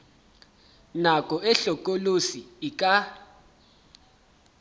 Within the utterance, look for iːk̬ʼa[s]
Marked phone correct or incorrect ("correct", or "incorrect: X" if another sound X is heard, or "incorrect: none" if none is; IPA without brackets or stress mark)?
incorrect: none